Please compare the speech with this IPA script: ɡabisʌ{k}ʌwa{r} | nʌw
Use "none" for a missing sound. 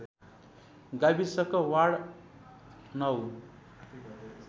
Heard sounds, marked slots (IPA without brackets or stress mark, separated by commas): k, ɽ